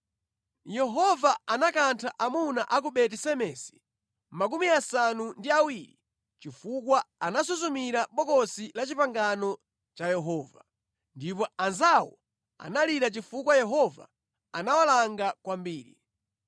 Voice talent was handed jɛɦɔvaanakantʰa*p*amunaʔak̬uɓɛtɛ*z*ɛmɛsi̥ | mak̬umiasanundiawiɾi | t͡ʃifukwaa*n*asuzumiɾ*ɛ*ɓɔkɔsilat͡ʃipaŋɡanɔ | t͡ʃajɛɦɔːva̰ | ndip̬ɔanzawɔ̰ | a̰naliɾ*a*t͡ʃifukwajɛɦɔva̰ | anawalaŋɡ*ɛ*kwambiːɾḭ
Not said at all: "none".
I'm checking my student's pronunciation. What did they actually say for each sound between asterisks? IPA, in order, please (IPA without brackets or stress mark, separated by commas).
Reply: ʔ, s, n, a, a, a